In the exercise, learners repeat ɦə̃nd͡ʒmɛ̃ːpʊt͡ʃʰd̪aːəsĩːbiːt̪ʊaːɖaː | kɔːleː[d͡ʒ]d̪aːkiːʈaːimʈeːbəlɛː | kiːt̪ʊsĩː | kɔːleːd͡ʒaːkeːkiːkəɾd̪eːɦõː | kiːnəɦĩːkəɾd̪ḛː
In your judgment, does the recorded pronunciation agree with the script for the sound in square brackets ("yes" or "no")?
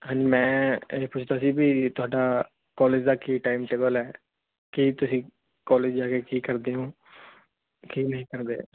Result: yes